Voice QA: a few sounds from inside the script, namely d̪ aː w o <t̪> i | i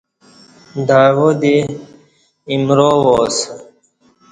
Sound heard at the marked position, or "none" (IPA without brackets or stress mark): d̪